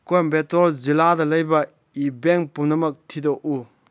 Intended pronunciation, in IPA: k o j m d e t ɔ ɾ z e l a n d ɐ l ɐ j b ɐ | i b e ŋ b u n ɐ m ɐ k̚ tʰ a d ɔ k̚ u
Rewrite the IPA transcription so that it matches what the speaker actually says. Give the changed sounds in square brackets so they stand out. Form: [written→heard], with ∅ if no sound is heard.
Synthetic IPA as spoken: k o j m [d→b] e t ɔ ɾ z [e→i] l a [n→∅] d ɐ l ɐ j b ɐ | i b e ŋ [b→p] u n ɐ m ɐ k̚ tʰ [a→i] d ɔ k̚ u